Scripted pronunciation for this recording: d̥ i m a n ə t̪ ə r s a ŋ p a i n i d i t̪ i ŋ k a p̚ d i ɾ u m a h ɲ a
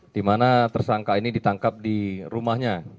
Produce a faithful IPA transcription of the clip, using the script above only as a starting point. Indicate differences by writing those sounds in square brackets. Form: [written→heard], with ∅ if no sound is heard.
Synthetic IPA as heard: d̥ i m a n [ə→a] t̪ ə r s a ŋ [p→k] a i n i d i t̪ [i→a] ŋ k a p̚ d i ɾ u m a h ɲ a